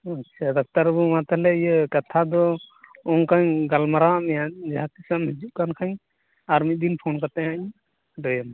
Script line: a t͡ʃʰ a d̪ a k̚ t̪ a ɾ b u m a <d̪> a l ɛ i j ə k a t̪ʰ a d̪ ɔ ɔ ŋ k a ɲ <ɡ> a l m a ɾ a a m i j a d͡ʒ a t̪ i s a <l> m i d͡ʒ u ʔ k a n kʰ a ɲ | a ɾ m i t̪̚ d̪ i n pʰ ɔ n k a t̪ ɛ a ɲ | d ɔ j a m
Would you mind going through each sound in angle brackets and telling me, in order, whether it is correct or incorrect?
incorrect: t̪, correct, incorrect: none

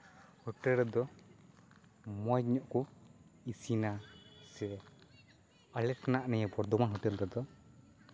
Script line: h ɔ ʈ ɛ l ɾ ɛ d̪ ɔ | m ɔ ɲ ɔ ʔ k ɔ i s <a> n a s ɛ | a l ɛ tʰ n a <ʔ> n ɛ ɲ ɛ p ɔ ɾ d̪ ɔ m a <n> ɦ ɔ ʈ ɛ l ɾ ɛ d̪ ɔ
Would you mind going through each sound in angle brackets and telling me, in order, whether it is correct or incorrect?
incorrect: i, correct, correct

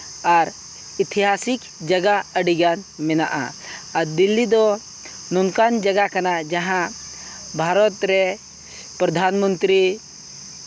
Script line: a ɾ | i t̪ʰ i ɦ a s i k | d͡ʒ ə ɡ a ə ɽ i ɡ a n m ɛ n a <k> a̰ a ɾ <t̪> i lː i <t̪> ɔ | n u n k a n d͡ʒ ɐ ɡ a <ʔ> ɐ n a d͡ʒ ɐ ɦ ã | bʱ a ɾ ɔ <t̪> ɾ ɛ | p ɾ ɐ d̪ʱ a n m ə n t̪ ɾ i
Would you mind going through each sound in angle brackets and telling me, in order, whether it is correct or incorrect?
incorrect: ʔ, incorrect: d̪, incorrect: d̪, incorrect: k, correct

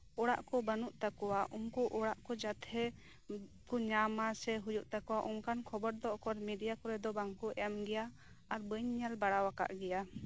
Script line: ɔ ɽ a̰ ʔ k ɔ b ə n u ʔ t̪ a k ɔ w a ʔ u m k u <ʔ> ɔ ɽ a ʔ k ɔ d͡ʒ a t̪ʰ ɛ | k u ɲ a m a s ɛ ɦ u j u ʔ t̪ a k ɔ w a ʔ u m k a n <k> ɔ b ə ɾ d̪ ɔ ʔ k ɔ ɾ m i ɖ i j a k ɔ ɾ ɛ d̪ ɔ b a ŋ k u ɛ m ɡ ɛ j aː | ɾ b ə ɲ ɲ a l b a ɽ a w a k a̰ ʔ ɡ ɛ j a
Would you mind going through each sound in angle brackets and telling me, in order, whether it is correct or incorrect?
correct, incorrect: kʰ

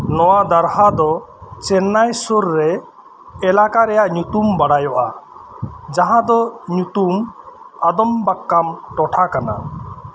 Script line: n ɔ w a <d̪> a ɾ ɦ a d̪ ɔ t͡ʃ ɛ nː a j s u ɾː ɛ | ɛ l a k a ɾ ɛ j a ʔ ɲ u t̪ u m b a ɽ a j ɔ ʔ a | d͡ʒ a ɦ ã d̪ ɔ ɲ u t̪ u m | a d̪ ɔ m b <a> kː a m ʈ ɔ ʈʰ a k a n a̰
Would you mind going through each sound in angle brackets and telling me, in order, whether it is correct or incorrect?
correct, correct

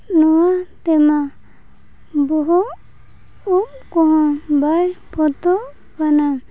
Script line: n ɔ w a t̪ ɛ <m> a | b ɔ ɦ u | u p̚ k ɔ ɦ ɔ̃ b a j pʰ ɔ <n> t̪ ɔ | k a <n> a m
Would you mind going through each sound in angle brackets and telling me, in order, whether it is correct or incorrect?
correct, incorrect: none, correct

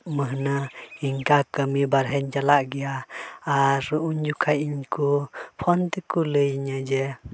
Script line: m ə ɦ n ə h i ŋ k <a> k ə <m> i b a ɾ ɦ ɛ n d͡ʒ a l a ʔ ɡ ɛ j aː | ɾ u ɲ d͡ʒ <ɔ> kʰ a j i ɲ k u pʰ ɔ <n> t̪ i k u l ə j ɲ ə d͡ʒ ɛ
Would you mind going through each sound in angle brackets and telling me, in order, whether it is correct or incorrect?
correct, correct, incorrect: u, correct

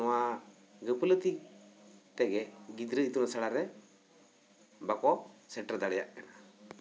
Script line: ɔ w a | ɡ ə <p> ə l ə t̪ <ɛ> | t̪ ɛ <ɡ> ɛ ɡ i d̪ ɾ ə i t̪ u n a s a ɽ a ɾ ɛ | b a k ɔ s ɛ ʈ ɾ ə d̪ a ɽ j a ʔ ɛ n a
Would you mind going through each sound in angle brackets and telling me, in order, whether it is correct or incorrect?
correct, incorrect: i, correct

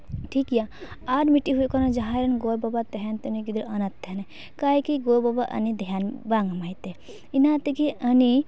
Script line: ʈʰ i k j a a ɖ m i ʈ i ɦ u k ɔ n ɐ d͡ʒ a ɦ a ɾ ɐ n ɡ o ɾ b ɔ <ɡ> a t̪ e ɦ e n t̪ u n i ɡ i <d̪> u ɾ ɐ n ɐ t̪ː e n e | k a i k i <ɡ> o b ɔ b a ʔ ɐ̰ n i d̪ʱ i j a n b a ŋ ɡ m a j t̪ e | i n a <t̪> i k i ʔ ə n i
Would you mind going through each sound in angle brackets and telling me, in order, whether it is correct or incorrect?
incorrect: b, correct, correct, correct

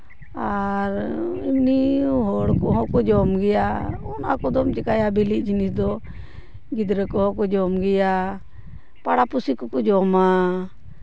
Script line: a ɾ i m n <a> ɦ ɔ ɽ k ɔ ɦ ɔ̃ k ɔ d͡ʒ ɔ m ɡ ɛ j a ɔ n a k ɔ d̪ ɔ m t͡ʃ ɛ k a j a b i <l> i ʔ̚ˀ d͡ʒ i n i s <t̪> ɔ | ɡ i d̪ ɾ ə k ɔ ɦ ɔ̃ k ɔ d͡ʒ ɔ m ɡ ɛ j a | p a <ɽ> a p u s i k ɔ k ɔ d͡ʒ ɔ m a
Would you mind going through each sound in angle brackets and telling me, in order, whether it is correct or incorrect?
incorrect: i, correct, incorrect: d̪, correct

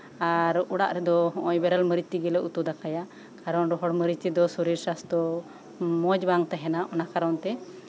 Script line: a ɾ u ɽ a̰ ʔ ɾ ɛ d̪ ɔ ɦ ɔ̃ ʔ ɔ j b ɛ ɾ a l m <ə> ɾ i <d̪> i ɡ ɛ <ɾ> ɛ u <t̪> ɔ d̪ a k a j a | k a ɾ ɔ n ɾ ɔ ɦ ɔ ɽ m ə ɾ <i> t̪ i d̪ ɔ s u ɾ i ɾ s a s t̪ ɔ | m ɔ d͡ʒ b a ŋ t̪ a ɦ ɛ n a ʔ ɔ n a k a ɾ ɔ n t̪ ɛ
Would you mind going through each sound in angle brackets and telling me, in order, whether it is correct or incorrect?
correct, incorrect: t̪, incorrect: l, correct, correct

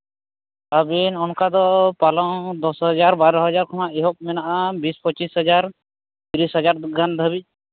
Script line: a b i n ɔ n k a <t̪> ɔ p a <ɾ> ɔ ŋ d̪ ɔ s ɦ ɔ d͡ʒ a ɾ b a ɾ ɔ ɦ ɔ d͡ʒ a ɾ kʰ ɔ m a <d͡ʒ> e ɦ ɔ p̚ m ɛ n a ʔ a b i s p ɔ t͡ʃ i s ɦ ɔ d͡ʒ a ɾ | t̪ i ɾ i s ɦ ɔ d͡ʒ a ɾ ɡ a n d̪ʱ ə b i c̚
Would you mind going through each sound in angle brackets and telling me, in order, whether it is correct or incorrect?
incorrect: d̪, incorrect: l, incorrect: none

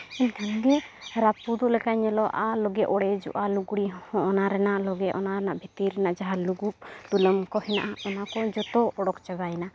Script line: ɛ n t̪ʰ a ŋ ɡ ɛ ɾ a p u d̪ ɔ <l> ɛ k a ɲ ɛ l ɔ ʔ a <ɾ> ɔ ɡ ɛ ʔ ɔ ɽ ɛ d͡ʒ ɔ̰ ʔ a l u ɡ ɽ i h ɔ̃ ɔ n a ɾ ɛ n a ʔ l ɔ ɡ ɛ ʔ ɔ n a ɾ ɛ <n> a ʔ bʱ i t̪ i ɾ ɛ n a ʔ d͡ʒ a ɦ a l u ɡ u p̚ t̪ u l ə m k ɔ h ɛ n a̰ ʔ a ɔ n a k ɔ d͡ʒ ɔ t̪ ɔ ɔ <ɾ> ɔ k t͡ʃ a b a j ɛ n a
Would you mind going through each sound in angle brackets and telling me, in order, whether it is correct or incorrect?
correct, incorrect: l, correct, incorrect: ɽ

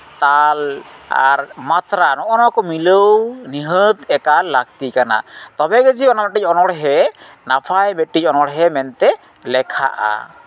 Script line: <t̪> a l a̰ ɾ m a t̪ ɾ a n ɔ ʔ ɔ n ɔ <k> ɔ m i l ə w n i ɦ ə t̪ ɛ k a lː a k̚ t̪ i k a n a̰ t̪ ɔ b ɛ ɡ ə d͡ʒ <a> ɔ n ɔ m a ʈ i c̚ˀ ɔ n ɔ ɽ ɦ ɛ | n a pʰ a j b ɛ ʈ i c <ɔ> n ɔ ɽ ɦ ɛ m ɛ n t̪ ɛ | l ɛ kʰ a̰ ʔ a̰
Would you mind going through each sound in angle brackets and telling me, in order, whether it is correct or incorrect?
correct, correct, incorrect: i, correct

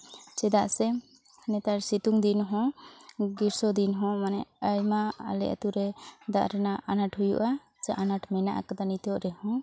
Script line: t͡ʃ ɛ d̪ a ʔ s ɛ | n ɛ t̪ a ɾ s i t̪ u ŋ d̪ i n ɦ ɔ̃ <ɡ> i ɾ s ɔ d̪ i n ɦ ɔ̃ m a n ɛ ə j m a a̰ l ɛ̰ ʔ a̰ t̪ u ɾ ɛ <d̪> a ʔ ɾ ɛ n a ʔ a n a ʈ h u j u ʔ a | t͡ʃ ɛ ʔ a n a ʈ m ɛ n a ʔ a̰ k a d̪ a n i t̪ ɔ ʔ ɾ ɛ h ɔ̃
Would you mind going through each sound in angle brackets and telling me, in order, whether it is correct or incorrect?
correct, correct

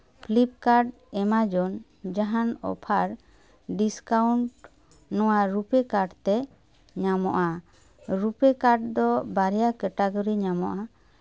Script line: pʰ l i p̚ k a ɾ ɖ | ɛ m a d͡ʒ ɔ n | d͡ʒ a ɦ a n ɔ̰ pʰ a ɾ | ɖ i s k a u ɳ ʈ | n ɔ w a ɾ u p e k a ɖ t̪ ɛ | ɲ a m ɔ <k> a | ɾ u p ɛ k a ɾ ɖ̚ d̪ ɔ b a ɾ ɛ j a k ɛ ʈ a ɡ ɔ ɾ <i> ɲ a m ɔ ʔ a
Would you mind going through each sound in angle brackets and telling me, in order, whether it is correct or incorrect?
incorrect: ʔ, correct

